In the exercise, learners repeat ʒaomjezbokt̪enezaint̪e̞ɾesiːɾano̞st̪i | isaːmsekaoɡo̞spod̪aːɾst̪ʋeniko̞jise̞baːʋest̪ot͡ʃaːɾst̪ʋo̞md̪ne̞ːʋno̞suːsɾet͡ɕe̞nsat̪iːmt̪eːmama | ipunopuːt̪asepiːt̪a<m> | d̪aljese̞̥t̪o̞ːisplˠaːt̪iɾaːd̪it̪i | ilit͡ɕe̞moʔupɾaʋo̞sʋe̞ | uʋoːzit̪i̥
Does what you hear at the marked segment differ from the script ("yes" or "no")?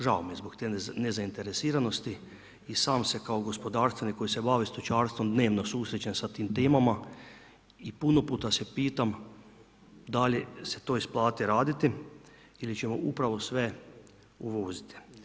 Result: no